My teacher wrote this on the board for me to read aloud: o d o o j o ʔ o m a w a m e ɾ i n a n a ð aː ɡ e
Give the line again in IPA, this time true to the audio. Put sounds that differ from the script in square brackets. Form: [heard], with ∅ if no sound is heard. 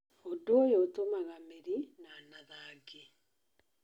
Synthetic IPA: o d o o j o [t] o m a [ɣ] a m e ɾ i n a n a ð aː ɡ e

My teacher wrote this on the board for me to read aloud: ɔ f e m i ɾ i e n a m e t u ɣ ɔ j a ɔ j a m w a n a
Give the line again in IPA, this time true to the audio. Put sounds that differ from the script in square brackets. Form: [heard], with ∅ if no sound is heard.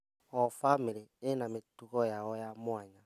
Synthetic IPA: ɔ f [a] m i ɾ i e n a m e t u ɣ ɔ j a ɔ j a m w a [ɲ] a

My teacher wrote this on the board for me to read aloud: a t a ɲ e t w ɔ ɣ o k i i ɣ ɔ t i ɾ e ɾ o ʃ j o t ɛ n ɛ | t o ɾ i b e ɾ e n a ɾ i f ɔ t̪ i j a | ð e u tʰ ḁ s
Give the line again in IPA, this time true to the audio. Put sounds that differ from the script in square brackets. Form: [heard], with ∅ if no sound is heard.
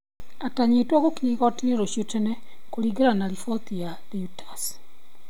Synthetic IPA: a t a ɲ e t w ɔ ɣ o k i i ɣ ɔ t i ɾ e ɾ o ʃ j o t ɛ n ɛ | [k] o ɾ i [ɡ] e ɾ [a] n a ɾ i f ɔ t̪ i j a | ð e u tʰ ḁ s

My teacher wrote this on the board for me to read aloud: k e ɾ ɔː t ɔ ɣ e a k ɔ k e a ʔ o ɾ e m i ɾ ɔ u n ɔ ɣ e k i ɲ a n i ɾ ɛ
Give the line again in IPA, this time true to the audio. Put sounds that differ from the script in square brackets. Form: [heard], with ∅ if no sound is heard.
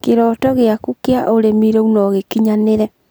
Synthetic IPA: k e ɾ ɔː t ɔ ɣ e a k [u] k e a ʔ o ɾ e m i ɾ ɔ u n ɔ ɣ e k i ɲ a n [e] ɾ ɛ

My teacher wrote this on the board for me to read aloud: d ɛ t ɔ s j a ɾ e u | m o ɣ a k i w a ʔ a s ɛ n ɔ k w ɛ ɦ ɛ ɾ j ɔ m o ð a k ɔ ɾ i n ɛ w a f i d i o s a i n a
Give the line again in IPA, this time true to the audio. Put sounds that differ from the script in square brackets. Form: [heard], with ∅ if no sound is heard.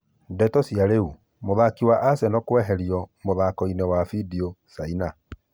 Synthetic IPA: d ɛ t ɔ s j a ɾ e u | m o [ð] a k i w a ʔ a s ɛ n ɔ k w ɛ ɦ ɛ ɾ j ɔ m o ð a k ɔ [∅] i n ɛ w a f i d i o s a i n a

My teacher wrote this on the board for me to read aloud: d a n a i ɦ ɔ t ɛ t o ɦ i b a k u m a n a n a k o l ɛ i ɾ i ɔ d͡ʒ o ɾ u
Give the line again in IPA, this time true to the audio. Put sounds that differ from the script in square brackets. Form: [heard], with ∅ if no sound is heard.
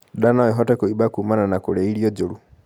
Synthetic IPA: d a n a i ɦ ɔ t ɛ [k] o [∅] i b a k u m a n a n a k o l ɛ i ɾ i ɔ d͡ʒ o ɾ u

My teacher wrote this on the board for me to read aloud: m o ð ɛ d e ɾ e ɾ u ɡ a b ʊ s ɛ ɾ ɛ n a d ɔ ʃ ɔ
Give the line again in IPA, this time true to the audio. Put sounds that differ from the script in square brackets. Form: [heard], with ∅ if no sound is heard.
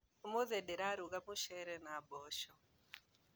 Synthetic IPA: m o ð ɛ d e ɾ [a] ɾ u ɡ a [m] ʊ [ʃ] ɛ ɾ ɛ n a [b] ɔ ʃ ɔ

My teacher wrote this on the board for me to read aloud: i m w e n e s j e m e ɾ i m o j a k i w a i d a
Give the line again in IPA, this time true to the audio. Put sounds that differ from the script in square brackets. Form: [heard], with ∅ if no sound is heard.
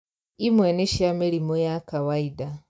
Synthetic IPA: i m w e n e [ʃ] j [a] m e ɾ i m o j a k [a] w a i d a

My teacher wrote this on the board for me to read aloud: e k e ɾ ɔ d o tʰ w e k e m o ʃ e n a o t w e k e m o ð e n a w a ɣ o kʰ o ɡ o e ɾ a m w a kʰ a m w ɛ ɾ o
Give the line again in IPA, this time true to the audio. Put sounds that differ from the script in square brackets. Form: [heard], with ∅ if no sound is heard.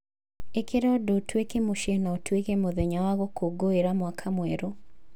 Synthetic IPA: e k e ɾ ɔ d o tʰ w e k e m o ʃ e n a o t w e k e m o ð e [ɲ] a w a ɣ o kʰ o ɡ o e ɾ a m w a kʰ a m w ɛ ɾ o

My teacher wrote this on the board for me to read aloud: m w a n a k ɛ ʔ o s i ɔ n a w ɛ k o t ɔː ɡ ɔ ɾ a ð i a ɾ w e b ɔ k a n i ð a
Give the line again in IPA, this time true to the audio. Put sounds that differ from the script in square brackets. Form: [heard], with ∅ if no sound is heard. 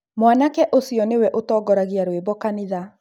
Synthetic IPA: m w a n a k ɛ ʔ o s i ɔ n [e] w ɛ [ʔ] o t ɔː ɡ ɔ ɾ a [ɣ] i a ɾ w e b ɔ k a n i ð a

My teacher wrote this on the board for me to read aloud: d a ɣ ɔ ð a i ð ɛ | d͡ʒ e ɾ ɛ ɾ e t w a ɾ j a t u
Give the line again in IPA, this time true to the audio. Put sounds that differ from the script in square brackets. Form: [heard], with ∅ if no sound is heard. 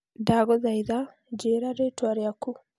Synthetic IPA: d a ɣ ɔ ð a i ð [a] | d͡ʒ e ɾ [a] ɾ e t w a ɾ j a [k] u

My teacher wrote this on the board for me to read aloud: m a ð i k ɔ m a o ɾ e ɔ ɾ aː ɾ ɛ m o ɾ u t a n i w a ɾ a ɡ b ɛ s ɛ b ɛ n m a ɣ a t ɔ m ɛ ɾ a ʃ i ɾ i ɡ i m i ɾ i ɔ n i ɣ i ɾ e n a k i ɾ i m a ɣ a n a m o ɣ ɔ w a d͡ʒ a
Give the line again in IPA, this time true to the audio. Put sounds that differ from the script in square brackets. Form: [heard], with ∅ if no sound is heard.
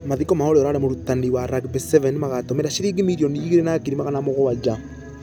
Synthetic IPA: m a ð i k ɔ m a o ɾ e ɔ ɾ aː ɾ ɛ m o ɾ u t a n i w a ɾ a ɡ b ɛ s ɛ [v] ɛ n m a ɣ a t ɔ m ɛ ɾ a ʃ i ɾ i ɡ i m i ɾ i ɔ n i ɣ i ɾ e n a k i ɾ i m a ɣ a n a m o ɣ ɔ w a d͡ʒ a

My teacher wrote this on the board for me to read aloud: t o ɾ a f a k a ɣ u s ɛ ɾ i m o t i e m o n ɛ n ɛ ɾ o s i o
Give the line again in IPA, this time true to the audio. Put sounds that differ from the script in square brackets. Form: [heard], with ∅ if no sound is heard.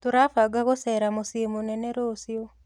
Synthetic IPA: t o ɾ a f a [ɡ] a ɣ [o] s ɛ ɾ [a] m o [s] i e m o n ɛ n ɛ ɾ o s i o

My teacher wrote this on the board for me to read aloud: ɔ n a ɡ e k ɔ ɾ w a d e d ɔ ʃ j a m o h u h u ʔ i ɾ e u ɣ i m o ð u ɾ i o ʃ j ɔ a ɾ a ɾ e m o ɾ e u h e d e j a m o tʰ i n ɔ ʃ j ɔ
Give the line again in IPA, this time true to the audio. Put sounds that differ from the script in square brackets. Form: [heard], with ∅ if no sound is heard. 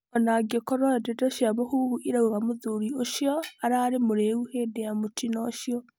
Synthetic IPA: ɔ n a ɡ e k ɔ ɾ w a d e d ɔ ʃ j a m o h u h u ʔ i ɾ [a] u ɣ [a] m o ð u ɾ i o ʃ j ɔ a ɾ a ɾ e m o ɾ e u h e d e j a m o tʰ i n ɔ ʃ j ɔ

